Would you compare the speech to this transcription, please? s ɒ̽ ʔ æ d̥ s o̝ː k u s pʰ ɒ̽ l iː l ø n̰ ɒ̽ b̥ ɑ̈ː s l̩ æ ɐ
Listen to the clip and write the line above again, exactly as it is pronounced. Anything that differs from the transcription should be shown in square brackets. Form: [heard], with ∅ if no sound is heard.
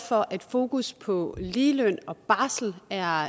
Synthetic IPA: [f] ɒ̽ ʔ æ d̥ [f] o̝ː k u s pʰ ɒ̽ l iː l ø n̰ ɒ̽ b̥ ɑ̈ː s l̩ æ ɐ